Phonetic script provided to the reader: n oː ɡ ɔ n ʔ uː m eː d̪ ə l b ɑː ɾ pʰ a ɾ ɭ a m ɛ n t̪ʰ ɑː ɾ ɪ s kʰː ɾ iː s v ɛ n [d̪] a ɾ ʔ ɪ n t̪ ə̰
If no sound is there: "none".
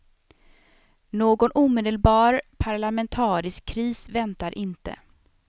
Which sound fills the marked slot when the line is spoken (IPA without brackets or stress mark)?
t̪